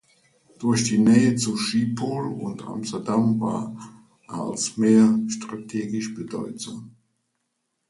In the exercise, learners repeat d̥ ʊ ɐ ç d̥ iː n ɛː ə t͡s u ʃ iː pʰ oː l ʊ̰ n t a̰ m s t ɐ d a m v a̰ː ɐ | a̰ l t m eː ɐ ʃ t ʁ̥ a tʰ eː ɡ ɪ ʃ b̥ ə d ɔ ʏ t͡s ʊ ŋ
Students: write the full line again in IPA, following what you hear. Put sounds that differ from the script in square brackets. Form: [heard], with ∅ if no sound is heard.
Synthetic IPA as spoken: d̥ ʊ ɐ ç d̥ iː n ɛː ə t͡s u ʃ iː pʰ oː l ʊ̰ n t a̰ m s t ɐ d a m v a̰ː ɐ | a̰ l [s] m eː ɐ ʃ t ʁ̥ a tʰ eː ɡ ɪ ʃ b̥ ə d ɔ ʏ t͡s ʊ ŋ

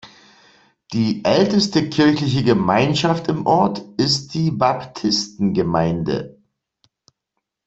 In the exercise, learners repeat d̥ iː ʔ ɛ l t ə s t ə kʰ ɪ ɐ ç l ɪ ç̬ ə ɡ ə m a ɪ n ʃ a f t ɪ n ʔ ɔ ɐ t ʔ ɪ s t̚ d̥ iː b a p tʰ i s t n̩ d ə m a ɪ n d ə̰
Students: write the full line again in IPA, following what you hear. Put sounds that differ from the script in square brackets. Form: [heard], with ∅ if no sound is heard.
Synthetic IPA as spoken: d̥ iː ʔ ɛ l t ə s t ə kʰ ɪ ɐ ç l ɪ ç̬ ə ɡ ə m a ɪ n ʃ a f t ɪ [m] ʔ ɔ ɐ t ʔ ɪ s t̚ d̥ iː b a p tʰ [ɪ] s t n̩ [ɡ] ə m a ɪ n d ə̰

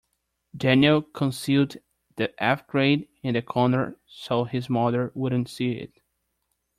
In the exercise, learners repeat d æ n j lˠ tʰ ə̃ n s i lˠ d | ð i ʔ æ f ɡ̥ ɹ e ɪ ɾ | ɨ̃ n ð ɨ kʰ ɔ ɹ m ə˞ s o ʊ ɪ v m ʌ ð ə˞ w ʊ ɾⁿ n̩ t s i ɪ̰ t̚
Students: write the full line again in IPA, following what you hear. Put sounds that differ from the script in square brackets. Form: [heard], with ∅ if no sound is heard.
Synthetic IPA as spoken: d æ n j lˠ [kʰ] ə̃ n s i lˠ d | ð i ʔ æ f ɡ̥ ɹ e ɪ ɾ | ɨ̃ n ð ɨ kʰ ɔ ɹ [n] ə˞ s o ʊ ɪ [z] m ʌ ð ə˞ w ʊ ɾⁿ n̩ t s i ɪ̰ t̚

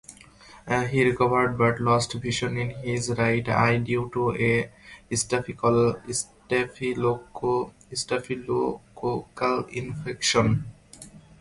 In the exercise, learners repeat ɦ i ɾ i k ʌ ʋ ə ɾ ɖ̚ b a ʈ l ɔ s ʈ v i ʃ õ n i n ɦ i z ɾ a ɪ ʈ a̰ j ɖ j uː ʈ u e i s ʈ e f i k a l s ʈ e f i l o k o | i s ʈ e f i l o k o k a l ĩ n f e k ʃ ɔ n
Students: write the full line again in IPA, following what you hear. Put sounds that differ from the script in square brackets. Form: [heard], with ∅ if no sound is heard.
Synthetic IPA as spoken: ɦ i ɾ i k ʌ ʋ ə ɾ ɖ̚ b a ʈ l ɔ s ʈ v i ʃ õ n i n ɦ i z ɾ a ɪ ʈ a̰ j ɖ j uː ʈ u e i s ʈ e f i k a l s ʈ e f i l o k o | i s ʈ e f i l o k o k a l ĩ n f e k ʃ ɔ n

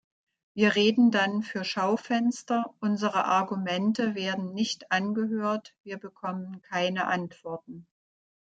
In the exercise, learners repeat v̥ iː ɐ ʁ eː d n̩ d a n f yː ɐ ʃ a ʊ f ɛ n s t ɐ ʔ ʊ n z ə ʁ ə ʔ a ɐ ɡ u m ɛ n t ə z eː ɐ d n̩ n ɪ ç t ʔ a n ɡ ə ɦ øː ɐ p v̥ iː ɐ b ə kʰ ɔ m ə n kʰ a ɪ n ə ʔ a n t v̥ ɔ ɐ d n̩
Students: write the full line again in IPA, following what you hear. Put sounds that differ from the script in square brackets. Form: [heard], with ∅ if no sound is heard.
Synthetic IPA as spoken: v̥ iː ɐ ʁ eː d n̩ d a n f yː ɐ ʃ a ʊ f ɛ n s t ɐ ʔ ʊ n z ə ʁ ə ʔ a ɐ ɡ u m ɛ n t ə [v] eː ɐ d n̩ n ɪ ç t ʔ a n ɡ ə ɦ øː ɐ [t] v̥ iː ɐ b ə kʰ ɔ m ə n kʰ a ɪ n ə ʔ a n t v̥ ɔ ɐ [t] n̩

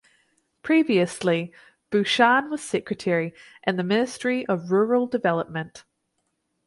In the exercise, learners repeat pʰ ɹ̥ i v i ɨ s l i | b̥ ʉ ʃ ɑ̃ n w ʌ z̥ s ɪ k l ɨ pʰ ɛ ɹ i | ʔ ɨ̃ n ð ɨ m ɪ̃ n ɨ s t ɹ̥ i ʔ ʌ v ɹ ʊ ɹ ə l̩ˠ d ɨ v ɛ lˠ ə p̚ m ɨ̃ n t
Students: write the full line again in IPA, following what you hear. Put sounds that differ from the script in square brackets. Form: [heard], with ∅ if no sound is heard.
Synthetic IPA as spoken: pʰ ɹ̥ i v i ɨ s l i | b̥ ʉ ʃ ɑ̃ n w ʌ z̥ s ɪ k [ɹ] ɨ [tʰ] ɛ ɹ i | ʔ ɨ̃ n ð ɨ m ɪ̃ n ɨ s t ɹ̥ i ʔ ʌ v ɹ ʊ ɹ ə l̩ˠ d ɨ v ɛ lˠ ə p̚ m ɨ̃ n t

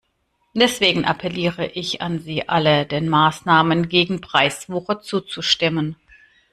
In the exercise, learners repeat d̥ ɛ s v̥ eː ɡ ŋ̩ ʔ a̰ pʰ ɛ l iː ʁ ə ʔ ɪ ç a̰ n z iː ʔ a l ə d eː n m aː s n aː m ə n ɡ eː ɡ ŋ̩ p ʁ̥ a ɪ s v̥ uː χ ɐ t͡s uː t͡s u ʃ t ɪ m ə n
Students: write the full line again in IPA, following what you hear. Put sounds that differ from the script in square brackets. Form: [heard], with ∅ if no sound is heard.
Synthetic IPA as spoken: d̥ ɛ s v̥ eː ɡ ŋ̩ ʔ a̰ pʰ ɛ l iː ʁ ə ʔ ɪ ç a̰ n z iː ʔ a l ə d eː n m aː s n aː m ə n ɡ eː ɡ ŋ̩ p ʁ̥ a ɪ s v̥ uː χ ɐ t͡s uː t͡s u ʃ t ɪ m ə n

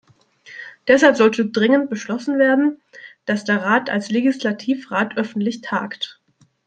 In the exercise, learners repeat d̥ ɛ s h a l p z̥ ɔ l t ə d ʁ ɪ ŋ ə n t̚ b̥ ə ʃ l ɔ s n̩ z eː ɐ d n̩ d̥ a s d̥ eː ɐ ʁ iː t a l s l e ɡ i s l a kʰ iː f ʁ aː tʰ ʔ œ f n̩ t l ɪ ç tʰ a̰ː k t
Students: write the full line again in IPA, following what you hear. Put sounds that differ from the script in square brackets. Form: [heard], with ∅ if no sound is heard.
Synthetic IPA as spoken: d̥ ɛ s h a l p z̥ ɔ l t ə d ʁ ɪ ŋ ə n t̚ b̥ ə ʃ l ɔ s n̩ [v] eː ɐ d n̩ d̥ a s d̥ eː ɐ ʁ [aː] t a l s l e ɡ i s l a [tʰ] iː f ʁ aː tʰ ʔ œ f n̩ t l ɪ ç tʰ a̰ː k t

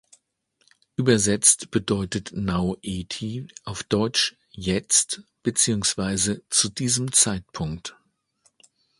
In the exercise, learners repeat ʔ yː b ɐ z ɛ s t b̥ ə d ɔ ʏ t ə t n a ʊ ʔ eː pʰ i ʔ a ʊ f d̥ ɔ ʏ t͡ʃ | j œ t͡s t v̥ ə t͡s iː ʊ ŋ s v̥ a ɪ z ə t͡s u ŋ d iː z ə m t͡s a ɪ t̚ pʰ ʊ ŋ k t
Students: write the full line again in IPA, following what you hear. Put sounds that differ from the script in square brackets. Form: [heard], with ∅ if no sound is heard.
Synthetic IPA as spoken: ʔ yː b ɐ z ɛ [t͡s] t b̥ ə d ɔ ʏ t ə t n a ʊ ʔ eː [tʰ] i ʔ a ʊ f d̥ ɔ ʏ t͡ʃ | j [ɛ] t͡s t [b̥] ə t͡s iː ʊ ŋ s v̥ a ɪ z ə t͡s u [∅] d iː z ə m t͡s a ɪ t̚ pʰ ʊ ŋ k t

